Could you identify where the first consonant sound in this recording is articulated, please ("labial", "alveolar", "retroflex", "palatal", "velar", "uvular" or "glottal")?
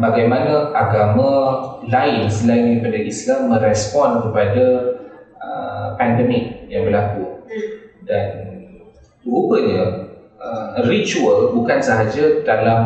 labial